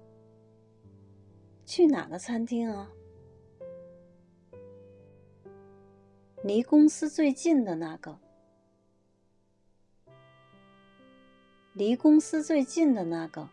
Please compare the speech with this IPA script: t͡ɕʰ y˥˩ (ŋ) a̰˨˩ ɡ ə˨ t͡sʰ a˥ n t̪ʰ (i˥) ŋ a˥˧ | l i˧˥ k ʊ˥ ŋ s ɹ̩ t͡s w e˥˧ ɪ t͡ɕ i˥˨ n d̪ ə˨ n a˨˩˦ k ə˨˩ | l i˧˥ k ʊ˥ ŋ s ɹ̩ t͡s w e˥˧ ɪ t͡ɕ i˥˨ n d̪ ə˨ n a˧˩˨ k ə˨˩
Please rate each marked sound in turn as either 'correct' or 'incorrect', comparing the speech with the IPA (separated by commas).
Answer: incorrect, correct